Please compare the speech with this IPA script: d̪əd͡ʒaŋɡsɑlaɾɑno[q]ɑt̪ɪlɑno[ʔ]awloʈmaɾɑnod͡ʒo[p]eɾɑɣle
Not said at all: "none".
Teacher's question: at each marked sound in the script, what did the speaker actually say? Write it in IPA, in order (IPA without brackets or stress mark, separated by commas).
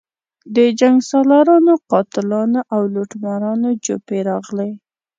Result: q, ʔ, p